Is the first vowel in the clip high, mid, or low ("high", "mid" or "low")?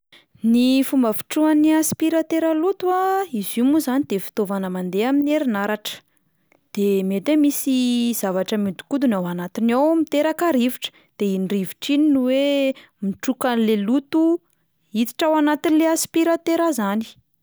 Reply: high